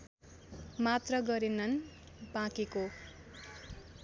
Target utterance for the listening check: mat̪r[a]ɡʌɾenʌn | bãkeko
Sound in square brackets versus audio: incorrect: ʌ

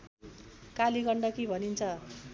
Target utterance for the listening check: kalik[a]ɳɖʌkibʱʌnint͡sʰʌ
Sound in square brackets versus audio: incorrect: ʌ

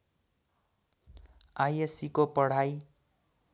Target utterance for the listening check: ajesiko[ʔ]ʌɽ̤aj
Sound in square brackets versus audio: incorrect: p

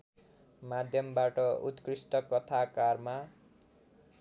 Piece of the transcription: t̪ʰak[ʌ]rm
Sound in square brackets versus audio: incorrect: a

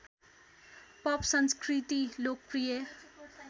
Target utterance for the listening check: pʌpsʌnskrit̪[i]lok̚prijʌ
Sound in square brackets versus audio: correct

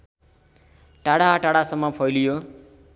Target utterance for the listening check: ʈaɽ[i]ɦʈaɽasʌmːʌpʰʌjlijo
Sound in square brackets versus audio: incorrect: a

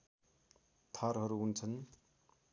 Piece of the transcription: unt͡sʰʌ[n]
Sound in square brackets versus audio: correct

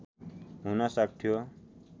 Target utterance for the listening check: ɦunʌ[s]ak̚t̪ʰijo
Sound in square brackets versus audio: correct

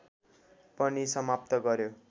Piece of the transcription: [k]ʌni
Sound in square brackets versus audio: incorrect: p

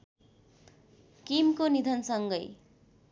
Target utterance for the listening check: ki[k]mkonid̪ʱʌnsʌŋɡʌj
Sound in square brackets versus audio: incorrect: none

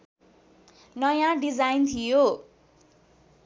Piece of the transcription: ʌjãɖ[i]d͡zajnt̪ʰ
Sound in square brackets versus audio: correct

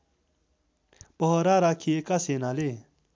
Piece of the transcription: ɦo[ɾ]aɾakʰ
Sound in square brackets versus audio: correct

